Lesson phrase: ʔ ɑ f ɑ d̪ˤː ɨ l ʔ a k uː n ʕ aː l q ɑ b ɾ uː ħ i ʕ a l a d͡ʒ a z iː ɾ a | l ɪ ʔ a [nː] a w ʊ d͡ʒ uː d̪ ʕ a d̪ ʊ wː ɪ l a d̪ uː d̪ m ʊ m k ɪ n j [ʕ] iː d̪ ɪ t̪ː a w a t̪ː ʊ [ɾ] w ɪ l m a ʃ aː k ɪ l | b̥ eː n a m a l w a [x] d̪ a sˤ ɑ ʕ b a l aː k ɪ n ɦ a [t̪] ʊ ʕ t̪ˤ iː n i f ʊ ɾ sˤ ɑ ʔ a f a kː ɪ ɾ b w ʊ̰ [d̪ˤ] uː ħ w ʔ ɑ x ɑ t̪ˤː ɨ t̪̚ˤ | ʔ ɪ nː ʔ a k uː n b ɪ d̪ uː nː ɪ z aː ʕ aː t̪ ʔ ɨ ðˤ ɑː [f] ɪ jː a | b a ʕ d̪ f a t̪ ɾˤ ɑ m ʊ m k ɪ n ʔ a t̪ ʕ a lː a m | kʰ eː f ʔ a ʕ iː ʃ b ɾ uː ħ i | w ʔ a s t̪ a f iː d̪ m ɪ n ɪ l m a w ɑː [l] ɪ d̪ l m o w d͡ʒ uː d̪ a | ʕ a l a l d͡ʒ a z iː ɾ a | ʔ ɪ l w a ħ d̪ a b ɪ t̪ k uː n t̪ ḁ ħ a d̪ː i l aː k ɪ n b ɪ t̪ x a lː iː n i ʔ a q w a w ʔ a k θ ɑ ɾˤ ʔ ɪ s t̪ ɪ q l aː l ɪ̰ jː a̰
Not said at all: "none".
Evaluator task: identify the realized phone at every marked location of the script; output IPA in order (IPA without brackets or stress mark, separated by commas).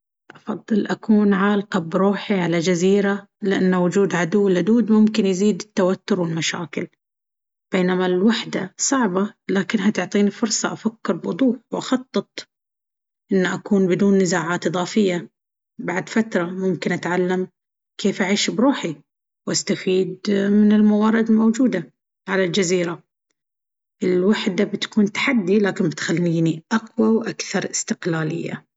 nː, z, ɾ, ħ, t̪, d̪ˤ, f, ɾ